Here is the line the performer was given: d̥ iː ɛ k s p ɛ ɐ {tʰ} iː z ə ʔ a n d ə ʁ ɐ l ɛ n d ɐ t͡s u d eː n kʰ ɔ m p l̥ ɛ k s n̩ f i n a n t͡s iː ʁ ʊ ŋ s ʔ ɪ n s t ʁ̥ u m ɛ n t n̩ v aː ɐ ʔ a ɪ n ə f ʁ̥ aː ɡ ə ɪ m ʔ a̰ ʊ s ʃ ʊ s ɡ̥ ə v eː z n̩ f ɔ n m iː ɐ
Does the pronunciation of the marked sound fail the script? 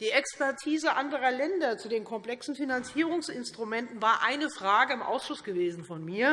no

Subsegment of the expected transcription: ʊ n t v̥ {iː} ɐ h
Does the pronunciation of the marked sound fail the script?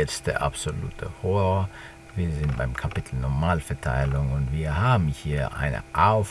no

